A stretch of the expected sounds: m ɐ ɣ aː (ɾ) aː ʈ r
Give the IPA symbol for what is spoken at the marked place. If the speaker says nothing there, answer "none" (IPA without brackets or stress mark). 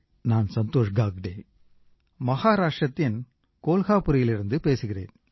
ɾ